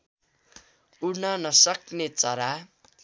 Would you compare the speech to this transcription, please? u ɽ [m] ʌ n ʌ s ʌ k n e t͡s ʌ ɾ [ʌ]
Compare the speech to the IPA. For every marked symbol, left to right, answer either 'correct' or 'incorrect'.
incorrect, incorrect

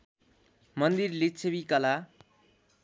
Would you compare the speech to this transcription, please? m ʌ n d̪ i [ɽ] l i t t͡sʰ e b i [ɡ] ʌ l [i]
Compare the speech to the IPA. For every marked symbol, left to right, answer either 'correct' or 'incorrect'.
incorrect, incorrect, incorrect

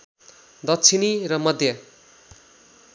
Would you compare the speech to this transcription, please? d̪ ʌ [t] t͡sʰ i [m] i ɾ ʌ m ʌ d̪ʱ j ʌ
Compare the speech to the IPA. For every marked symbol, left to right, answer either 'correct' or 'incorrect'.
correct, incorrect

